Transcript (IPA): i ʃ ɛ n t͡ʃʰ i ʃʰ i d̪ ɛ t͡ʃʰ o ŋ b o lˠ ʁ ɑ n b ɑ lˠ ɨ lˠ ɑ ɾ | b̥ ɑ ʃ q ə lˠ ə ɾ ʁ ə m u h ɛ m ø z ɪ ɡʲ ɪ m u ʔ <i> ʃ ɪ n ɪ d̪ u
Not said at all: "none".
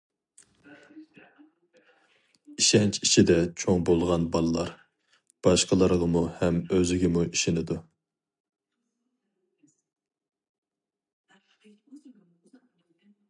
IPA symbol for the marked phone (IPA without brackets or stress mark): i